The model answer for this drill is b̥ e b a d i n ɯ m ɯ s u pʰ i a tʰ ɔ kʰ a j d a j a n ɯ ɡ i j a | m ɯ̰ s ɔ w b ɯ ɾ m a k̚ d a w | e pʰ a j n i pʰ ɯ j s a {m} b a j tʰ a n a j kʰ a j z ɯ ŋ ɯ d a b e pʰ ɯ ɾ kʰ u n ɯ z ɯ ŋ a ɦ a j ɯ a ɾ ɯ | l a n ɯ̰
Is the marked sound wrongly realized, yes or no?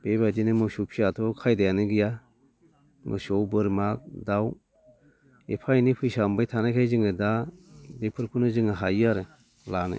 no